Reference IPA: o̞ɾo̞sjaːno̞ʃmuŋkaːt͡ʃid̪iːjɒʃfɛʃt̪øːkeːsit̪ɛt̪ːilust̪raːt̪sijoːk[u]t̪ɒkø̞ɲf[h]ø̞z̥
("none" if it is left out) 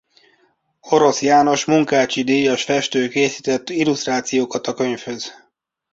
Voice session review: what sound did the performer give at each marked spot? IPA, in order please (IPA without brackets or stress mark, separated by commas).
ɒ, h